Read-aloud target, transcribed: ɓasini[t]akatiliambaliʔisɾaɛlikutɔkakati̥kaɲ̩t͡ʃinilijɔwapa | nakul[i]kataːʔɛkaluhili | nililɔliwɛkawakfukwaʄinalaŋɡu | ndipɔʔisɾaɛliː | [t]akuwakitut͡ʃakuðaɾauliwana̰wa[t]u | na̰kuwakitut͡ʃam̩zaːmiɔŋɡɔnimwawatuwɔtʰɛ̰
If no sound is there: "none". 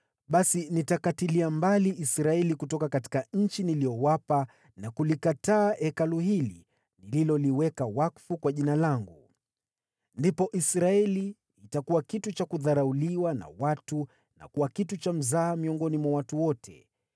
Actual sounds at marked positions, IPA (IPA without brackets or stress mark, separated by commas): t, i, t, t